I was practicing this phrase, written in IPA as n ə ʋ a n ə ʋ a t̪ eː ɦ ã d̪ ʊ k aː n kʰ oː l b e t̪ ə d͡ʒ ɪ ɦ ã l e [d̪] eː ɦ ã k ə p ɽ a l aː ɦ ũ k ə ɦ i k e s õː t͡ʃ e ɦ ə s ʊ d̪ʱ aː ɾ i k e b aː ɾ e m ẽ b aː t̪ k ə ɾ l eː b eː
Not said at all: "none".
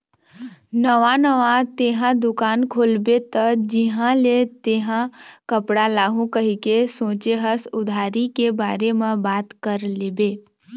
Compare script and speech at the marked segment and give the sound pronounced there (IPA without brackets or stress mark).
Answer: t̪